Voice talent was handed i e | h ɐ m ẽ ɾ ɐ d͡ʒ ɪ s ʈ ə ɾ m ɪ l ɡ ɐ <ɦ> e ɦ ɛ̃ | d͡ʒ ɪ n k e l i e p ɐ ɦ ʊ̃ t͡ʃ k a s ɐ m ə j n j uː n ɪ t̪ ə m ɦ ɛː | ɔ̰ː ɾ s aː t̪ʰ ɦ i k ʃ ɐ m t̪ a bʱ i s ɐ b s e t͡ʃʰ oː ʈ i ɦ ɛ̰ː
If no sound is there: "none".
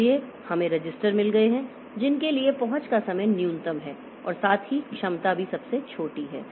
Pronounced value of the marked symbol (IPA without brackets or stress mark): none